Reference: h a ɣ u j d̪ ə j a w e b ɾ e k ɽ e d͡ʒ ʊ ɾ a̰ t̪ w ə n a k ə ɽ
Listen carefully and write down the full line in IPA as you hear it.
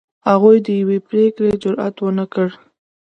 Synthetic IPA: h a ɣ u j d̪ ə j a w e p ɾ e k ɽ e d͡ʒ ʊ ɾ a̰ t̪ w ə n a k ə ɽ